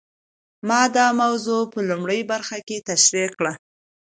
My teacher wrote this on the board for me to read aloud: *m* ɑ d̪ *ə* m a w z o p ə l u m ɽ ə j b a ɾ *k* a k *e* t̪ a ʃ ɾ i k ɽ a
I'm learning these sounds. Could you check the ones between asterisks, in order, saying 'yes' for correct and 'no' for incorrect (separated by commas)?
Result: yes, no, no, yes